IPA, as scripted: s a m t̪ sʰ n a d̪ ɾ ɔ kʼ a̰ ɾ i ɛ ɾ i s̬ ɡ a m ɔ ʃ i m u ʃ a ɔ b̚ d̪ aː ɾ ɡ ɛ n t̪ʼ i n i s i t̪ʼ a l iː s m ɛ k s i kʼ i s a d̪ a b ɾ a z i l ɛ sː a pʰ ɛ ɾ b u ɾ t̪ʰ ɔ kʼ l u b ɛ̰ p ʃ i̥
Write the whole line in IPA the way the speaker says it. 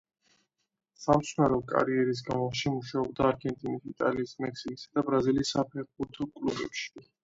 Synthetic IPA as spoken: s a m t̪ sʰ n a ɾ ɔ kʼ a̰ ɾ i ɛ ɾ i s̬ ɡ a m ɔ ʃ i m u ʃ a ɔ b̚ d̪ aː ɾ ɡ ɛ n t̪ʼ i n i s i t̪ʼ a l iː s m ɛ k s i kʼ i s a d̪ a b ɾ a z i l i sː a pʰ ɛ ɾ b u ɾ t̪ʰ ɔ kʼ l u b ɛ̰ p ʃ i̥